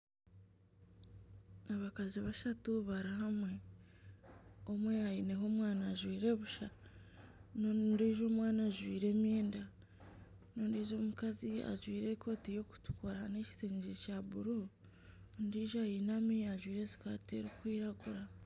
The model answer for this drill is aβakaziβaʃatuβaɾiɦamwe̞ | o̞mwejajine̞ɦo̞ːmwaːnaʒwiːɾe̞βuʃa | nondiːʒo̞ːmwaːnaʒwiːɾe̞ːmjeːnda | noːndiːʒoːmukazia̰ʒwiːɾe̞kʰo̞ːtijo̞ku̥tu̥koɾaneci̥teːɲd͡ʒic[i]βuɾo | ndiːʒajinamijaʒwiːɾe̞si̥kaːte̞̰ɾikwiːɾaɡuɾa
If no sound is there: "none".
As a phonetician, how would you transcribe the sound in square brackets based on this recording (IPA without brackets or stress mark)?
a